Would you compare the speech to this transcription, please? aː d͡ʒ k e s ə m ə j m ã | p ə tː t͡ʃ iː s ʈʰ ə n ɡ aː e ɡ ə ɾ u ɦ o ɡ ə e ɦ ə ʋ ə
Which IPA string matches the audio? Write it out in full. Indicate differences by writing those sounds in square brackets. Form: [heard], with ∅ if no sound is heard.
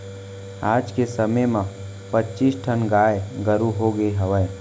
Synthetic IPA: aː d͡ʒ k e s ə m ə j m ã | p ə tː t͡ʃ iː s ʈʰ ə n ɡ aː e ɡ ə ɾ u ɦ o ɡ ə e ɦ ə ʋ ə

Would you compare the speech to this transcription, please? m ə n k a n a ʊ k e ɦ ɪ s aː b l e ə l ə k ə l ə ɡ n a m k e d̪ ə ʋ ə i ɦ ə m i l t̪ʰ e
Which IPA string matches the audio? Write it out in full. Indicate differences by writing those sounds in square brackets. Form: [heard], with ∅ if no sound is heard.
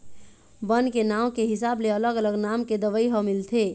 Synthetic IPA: [b] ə n k [e] n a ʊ k e ɦ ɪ s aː b l e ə l ə [ɡ] ə l ə ɡ n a m k e d̪ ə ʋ ə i ɦ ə m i l t̪ʰ e

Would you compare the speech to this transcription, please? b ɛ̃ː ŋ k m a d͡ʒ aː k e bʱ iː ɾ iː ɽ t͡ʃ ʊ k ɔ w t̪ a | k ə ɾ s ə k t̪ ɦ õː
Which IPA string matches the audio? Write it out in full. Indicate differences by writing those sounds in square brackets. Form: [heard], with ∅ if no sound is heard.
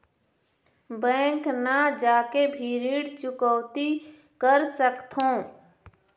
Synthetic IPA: b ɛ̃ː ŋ k [n] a d͡ʒ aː k e bʱ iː ɾ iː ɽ t͡ʃ ʊ k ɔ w t̪ [i] | k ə ɾ s ə k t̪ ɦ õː

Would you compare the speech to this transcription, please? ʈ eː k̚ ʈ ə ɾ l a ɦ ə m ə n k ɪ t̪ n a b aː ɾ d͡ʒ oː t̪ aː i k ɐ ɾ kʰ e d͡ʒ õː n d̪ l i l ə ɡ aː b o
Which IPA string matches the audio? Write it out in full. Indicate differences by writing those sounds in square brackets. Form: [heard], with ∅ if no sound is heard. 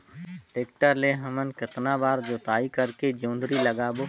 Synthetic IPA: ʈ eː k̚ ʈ ə ɾ l [e] ɦ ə m ə n k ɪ t̪ n a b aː ɾ d͡ʒ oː t̪ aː i k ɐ ɾ [k] e d͡ʒ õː n d̪ [ɾ] i l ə ɡ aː b o

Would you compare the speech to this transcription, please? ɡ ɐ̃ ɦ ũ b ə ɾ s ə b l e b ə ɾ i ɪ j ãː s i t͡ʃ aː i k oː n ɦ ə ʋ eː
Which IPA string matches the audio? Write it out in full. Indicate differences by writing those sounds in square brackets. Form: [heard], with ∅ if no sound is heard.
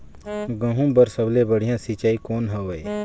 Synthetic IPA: ɡ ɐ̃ ɦ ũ b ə ɾ s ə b l e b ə [ɽ] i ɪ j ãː s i t͡ʃ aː i k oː n ɦ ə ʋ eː

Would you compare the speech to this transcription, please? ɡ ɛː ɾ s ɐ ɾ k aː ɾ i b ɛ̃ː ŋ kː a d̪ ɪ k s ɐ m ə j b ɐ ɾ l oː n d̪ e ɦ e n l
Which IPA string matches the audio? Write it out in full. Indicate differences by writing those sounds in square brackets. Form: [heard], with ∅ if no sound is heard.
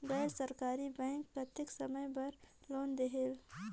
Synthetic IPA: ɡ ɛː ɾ s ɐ ɾ k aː ɾ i b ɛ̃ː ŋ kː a [t̪] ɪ k s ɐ m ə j b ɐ ɾ l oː n d̪ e ɦ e [∅] l

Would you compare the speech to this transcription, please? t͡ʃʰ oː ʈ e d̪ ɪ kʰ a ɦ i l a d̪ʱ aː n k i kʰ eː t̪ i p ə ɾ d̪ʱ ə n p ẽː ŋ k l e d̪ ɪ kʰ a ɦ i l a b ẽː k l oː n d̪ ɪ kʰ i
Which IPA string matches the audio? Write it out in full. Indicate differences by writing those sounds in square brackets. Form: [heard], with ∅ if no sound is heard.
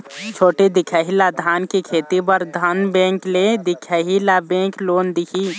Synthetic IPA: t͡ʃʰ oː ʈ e d̪ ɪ kʰ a ɦ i l a d̪ʱ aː n k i kʰ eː t̪ i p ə ɾ d̪ʱ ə n [b] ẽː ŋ k l e d̪ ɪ kʰ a ɦ i l a b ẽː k l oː n d̪ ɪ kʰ i

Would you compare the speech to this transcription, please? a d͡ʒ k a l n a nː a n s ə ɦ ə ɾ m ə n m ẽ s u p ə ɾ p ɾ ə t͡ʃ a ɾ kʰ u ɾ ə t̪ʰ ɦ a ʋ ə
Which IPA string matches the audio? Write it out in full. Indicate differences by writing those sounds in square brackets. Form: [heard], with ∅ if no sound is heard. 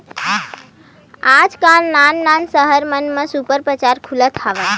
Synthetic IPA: a d͡ʒ k a l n a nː a n s ə ɦ ə ɾ m ə n m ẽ s u p ə ɾ p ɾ ə t͡ʃ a ɾ kʰ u [l] ə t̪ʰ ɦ a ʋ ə

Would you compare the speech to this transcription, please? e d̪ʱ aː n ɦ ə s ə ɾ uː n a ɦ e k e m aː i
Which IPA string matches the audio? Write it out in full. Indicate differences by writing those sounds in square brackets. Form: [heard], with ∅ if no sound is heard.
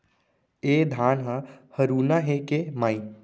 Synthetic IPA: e d̪ʱ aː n ɦ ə [h] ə ɾ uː n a ɦ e k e m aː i

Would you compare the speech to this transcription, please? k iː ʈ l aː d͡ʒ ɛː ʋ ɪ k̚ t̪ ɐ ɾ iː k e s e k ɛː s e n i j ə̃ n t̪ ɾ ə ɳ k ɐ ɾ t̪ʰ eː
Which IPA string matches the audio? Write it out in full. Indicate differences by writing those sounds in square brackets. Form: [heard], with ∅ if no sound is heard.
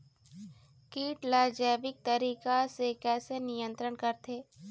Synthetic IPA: k iː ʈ l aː d͡ʒ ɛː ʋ ɪ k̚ t̪ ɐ ɾ iː k [a] s e k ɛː s e n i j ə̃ n t̪ ɾ ə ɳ k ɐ ɾ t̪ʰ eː

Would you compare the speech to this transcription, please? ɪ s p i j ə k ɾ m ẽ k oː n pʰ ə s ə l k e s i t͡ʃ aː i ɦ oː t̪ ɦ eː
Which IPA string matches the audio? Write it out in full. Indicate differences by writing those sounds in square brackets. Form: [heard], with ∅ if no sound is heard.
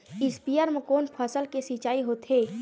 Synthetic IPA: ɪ s p i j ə [∅] ɾ m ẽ k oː n pʰ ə s ə l k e s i t͡ʃ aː i ɦ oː t̪ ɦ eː

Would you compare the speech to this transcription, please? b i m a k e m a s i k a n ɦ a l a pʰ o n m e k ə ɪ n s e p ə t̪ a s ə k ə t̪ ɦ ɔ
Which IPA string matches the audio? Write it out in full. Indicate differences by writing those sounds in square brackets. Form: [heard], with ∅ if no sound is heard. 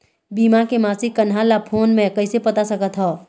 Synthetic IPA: b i m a k e m a s i k [ə] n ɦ a l a pʰ o n m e k ə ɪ [∅] s e p ə t̪ a s ə k ə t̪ ɦ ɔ

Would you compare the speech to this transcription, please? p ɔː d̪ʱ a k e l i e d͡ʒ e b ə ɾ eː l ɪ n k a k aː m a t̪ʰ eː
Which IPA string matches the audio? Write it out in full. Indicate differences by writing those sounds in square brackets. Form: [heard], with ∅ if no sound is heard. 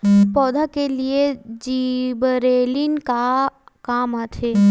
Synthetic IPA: p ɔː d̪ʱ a k e l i e d͡ʒ [i] b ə ɾ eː l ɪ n k a k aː m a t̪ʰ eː

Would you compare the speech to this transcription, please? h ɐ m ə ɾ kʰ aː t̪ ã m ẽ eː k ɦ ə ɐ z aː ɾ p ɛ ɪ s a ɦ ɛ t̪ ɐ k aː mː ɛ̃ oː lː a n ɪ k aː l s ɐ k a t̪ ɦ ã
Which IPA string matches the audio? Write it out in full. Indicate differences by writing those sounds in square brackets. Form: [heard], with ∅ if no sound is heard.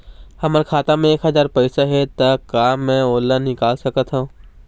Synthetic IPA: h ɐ m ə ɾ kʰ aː t̪ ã m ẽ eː k ɦ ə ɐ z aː ɾ p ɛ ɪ s a ɦ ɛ t̪ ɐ k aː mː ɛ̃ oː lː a n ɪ k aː l s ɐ k [ə] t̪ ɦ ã

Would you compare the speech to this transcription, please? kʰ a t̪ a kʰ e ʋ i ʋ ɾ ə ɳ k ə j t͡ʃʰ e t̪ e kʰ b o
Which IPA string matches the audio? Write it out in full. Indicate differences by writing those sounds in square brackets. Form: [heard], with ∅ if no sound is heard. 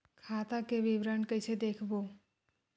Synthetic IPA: kʰ a t̪ a [k] e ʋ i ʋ ɾ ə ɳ k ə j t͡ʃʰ e [d̪] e kʰ b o

